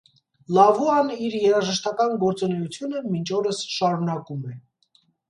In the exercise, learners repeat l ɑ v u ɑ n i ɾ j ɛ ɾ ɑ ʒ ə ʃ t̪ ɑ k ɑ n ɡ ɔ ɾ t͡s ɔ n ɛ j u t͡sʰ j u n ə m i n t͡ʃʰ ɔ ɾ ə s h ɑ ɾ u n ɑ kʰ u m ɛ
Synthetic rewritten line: l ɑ v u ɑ n i ɾ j ɛ ɾ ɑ ʒ ə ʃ t̪ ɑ k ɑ n ɡ ɔ ɾ t͡s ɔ n ɛ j u t͡sʰ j u n ə m i n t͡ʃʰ ɔ ɾ ə s ʃ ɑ ɾ u n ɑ k u m ɛ